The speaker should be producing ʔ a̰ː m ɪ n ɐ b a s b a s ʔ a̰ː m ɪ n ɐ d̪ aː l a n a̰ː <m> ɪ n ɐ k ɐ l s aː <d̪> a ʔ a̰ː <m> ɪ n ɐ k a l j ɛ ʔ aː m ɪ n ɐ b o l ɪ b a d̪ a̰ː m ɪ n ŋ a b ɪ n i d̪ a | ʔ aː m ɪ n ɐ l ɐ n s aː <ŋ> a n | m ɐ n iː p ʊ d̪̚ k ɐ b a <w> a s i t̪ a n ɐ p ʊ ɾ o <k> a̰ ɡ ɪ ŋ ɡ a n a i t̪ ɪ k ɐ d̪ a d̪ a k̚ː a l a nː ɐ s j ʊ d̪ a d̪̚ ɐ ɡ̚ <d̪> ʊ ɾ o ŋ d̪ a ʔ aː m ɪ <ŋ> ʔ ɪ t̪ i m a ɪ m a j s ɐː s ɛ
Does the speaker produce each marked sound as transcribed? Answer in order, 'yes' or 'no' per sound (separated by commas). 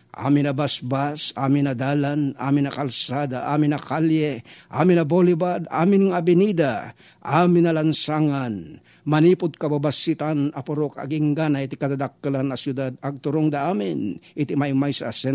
yes, yes, yes, yes, no, yes, no, no